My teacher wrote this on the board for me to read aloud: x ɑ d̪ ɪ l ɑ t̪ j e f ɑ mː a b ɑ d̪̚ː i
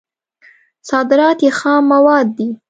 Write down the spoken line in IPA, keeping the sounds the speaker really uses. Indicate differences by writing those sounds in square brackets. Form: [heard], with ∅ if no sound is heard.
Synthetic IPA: [s] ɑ d̪ ɪ [ɾ] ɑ t̪ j e [x] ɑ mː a [w] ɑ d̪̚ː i